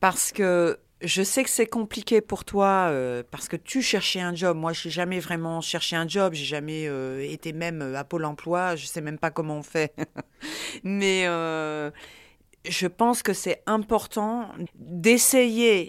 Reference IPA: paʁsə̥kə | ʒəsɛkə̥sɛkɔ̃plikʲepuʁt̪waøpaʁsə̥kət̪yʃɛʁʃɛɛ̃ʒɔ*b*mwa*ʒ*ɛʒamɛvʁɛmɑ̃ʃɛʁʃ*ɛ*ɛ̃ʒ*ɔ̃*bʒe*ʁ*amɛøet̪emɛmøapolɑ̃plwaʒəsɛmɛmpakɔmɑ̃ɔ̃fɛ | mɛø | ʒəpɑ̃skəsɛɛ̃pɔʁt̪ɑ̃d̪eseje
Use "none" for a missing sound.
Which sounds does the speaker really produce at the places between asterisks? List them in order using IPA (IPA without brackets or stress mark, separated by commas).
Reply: b, ʒ, e, ɔ, ʒ